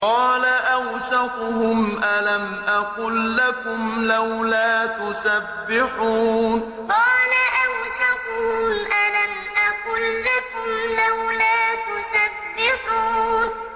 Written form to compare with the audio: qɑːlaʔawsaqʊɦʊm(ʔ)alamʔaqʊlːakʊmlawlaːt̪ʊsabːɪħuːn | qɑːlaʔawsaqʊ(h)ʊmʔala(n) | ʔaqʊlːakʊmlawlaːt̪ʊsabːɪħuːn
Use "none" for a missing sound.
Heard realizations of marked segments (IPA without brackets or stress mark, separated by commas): ʔ, h, m